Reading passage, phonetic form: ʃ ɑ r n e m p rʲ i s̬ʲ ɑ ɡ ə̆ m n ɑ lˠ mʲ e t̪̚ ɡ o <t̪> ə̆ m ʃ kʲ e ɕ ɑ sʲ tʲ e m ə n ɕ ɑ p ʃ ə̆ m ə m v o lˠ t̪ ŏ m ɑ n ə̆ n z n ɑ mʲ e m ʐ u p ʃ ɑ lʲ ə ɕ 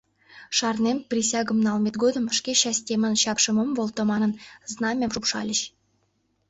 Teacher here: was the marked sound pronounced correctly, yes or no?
no